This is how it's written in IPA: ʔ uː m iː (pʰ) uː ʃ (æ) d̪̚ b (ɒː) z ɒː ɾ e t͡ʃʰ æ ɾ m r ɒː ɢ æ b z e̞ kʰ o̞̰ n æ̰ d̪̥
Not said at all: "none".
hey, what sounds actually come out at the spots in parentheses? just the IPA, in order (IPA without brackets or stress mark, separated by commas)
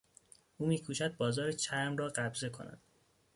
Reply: kʰ, æ, ɒː